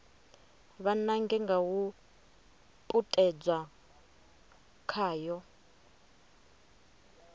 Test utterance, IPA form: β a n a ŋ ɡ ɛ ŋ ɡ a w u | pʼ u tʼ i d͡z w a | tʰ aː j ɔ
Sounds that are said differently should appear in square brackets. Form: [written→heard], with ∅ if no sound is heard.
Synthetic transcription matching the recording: β a n a ŋ ɡ ɛ ŋ ɡ a w u | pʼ u tʼ [i→ɛ] d͡z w a | [tʰ→kʰ] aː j ɔ